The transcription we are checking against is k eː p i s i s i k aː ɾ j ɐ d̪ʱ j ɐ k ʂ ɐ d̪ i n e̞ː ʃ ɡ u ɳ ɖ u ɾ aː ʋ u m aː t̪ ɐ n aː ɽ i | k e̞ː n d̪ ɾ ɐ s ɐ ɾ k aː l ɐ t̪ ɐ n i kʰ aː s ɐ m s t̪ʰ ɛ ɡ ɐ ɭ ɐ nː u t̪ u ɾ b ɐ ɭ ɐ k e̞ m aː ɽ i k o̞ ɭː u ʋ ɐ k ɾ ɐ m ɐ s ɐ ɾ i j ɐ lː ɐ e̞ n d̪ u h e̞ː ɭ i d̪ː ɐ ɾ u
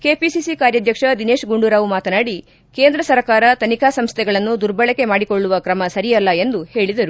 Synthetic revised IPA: k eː p i s i s i k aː ɾ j ɐ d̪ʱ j ɐ k ʂ ɐ d̪ i n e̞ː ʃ ɡ u ɳ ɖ u ɾ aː ʋ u m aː t̪ ɐ n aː ɽ i | k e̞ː n d̪ ɾ ɐ s ɐ ɾ k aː ɾ ɐ t̪ ɐ n i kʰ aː s ɐ m s t̪ʰ ɛ ɡ ɐ ɭ ɐ nː u d̪ u ɾ b ɐ ɭ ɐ k e̞ m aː ɽ i k o̞ ɭː u ʋ ɐ k ɾ ɐ m ɐ s ɐ ɾ i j ɐ lː ɐ e̞ n d̪ u h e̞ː ɭ i d̪ ɐ ɾ u